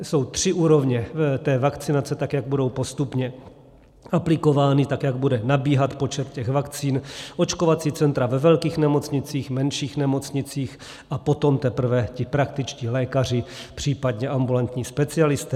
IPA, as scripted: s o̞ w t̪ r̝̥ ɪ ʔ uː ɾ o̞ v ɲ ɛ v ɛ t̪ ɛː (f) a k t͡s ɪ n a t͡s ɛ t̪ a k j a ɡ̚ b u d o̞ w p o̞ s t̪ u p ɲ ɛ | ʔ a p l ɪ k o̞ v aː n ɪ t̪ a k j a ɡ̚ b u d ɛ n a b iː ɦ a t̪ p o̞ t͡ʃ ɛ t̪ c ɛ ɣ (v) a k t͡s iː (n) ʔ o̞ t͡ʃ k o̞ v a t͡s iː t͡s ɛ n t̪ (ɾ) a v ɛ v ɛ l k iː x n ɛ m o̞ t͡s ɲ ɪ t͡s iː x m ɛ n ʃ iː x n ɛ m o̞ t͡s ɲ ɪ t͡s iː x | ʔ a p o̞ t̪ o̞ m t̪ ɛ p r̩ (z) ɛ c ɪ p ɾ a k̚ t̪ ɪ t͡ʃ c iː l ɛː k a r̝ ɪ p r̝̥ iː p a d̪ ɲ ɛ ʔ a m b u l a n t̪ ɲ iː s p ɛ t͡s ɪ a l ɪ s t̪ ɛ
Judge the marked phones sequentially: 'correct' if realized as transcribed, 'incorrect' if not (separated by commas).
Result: incorrect, correct, correct, correct, incorrect